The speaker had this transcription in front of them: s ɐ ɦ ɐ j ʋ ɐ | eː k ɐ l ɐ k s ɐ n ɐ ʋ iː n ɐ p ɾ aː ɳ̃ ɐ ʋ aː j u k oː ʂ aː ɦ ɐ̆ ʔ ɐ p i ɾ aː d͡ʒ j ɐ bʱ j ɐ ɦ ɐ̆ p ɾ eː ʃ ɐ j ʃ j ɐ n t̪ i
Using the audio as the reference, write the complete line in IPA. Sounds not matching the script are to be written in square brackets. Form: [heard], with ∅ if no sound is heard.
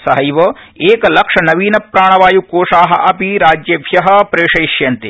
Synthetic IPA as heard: s ɐ ɦ ɐ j ʋ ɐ | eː k ɐ l ɐ k [ʂ] ɐ n ɐ ʋ iː n ɐ p ɾ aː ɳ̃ ɐ ʋ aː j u k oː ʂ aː ɦ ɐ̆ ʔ ɐ p i ɾ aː d͡ʒ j ɐ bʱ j ɐ ɦ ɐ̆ p ɾ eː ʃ ɐ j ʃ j ɐ n t̪ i